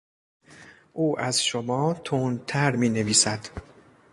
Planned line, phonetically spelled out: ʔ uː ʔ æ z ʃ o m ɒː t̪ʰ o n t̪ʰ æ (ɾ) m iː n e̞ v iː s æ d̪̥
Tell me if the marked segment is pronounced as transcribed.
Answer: yes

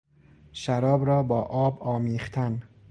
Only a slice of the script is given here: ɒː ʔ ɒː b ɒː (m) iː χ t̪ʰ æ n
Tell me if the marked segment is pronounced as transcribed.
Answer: yes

